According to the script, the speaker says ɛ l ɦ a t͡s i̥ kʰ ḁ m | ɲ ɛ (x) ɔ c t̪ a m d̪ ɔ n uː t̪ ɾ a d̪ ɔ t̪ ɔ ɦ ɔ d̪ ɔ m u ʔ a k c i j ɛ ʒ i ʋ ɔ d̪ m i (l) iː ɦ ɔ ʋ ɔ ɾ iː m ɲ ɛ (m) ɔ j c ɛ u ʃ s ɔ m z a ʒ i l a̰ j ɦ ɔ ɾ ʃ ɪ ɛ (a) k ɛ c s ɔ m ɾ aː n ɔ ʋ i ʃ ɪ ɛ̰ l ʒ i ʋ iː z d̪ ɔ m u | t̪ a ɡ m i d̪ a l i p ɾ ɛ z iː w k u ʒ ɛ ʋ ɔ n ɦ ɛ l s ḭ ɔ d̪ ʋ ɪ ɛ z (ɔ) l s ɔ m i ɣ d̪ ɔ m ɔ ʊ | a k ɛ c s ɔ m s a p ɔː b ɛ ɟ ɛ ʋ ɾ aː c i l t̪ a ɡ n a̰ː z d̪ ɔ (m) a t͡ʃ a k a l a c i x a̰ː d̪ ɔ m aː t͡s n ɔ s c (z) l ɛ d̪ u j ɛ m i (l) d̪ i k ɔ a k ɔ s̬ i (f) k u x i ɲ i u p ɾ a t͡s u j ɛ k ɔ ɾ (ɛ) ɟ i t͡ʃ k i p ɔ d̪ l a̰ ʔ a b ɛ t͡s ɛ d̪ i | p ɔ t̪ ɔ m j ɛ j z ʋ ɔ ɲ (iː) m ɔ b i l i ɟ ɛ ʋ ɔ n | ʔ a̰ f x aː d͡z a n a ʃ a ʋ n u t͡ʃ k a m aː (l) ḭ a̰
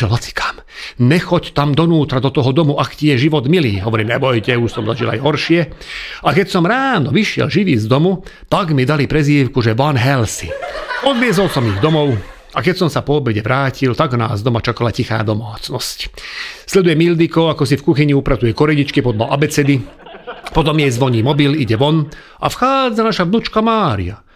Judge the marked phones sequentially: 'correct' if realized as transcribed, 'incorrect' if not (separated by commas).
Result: correct, correct, incorrect, correct, correct, correct, incorrect, correct, correct, correct, correct, incorrect